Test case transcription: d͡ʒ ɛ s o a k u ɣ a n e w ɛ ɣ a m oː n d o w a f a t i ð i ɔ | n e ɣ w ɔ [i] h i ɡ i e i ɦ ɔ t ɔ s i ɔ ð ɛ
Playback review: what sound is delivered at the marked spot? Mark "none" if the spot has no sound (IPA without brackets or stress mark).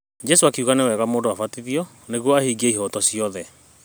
a